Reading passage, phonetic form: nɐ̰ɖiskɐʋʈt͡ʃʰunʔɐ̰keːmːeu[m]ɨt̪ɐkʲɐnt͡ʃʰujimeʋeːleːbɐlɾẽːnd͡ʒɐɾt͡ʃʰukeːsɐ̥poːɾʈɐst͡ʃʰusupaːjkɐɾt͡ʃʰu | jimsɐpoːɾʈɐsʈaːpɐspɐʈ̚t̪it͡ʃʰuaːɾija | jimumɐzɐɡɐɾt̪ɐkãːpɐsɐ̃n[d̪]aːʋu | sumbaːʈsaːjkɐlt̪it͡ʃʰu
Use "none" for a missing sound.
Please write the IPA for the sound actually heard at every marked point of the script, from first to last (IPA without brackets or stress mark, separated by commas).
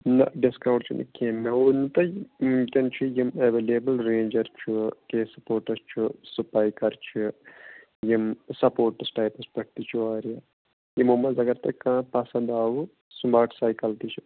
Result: n, d̪